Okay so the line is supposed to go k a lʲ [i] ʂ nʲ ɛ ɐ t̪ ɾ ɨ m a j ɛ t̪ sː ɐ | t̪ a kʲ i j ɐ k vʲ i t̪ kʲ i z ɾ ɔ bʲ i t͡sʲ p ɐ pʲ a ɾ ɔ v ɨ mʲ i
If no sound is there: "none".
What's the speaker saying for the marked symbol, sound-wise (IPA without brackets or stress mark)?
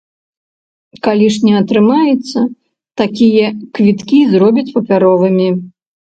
i